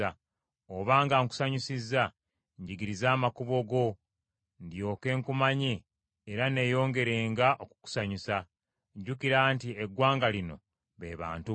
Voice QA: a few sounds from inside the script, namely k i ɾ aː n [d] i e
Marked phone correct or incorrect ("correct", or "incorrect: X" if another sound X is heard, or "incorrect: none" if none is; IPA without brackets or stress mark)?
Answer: incorrect: t